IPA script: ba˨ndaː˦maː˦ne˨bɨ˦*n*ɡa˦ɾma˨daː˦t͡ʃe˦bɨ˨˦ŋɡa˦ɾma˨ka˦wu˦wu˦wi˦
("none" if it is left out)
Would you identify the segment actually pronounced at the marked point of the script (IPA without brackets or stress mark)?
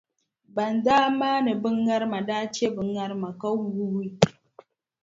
ŋ